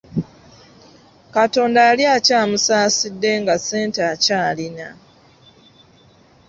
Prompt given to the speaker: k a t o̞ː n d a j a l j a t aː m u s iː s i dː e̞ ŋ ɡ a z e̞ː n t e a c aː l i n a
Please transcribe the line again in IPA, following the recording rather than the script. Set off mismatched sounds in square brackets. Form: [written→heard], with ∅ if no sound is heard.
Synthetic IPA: k a t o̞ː n d a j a l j a [t→c] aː m u s [iː→aː] s i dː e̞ ŋ ɡ a [z→s] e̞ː n t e a c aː l i n a